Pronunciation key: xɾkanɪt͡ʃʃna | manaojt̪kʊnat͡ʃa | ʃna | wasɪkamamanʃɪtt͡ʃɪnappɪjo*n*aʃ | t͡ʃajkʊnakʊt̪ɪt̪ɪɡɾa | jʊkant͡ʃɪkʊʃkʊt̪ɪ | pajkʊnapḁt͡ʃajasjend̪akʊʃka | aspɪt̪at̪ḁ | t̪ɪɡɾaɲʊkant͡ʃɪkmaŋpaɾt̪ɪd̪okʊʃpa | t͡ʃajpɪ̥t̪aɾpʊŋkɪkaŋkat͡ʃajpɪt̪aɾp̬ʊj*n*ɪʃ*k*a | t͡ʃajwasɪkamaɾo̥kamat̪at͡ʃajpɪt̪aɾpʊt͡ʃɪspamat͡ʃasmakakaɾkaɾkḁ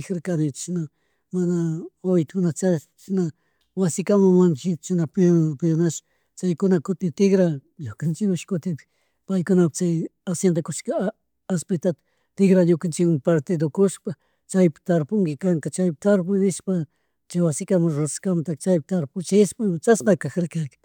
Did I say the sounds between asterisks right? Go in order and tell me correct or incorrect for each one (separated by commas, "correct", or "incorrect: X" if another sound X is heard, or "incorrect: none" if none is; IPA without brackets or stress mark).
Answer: correct, correct, incorrect: p